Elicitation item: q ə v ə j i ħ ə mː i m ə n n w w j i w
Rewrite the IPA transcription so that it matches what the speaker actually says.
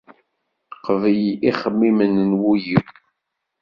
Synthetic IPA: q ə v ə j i χ ə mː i m ə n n w u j i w